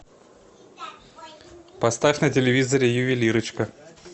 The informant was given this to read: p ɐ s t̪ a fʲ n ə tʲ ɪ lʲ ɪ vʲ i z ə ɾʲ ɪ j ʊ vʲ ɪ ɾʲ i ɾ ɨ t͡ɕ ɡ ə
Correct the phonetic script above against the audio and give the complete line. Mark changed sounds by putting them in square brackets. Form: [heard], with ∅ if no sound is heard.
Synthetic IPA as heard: p ɐ s t̪ a fʲ n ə tʲ ɪ lʲ ɪ vʲ i z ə ɾʲ ɪ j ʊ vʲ ɪ [lʲ] i ɾ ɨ t͡ɕ [k] ə